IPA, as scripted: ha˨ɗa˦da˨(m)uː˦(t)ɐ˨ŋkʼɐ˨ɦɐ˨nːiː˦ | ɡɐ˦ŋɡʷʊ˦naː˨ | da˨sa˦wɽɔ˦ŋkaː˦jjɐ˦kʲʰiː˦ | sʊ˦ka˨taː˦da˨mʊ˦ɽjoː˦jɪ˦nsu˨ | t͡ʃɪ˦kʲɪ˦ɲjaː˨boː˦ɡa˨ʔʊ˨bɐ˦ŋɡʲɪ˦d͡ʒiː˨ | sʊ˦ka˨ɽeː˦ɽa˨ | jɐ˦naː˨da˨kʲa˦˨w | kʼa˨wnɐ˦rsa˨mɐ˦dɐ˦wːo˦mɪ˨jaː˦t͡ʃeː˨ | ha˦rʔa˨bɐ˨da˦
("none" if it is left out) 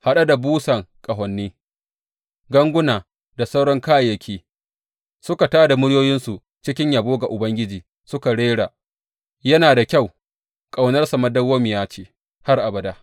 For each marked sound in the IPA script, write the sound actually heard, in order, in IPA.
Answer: b, s

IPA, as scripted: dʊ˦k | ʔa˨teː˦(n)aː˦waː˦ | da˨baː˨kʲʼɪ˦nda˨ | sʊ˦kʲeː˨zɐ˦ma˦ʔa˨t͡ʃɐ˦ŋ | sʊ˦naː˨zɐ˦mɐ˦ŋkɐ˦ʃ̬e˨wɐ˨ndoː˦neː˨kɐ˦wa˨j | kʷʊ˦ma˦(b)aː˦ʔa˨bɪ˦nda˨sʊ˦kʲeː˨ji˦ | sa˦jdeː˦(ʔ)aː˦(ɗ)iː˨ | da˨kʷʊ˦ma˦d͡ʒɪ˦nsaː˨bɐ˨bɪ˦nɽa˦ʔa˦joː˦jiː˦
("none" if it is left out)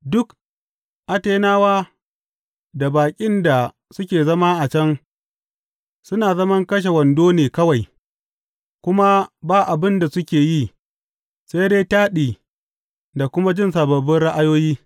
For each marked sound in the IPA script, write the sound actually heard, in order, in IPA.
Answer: n, b, t, ɗ

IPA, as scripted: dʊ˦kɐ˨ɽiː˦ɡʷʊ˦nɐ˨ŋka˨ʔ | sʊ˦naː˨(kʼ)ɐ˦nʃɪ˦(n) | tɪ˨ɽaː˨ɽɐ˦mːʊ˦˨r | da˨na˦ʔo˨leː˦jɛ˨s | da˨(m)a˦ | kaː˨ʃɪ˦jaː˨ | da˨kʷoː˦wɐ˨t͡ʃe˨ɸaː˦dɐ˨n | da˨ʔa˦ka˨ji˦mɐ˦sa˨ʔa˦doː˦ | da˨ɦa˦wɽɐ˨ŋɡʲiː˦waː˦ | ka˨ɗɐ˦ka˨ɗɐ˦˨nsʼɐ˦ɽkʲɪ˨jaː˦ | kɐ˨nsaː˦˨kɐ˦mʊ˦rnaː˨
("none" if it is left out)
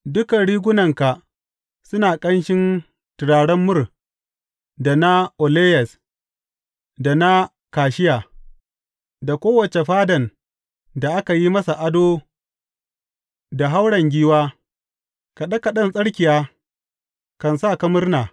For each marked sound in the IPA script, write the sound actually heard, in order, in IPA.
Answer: kʼ, n, n

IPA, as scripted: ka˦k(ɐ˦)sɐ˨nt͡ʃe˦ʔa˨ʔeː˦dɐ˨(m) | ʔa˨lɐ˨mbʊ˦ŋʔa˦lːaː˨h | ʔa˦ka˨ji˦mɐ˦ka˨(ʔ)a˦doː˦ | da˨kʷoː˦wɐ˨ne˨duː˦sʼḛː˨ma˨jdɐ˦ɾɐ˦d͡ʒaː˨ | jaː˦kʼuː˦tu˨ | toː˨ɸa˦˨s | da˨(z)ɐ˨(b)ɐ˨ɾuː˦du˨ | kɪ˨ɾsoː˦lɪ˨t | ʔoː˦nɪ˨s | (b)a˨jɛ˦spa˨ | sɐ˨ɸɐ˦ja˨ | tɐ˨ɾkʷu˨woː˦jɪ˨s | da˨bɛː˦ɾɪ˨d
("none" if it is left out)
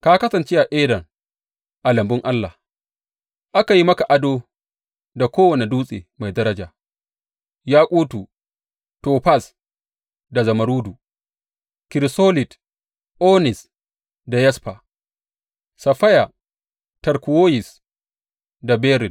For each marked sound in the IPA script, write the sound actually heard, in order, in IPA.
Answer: ɐ˦, ŋ, ʔ, z, m, d

